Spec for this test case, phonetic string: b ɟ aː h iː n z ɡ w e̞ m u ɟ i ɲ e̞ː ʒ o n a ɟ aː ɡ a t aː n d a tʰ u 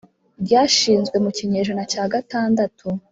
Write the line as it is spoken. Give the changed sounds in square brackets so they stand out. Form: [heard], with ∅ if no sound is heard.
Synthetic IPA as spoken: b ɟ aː [ʃ] iː n z ɡ w e̞ m u [c] i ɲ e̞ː ʒ o n a [c] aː ɡ a t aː n d a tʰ u